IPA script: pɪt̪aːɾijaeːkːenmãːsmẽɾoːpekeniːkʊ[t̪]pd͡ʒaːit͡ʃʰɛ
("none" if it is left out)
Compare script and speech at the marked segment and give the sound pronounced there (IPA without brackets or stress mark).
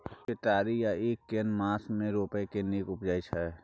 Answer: none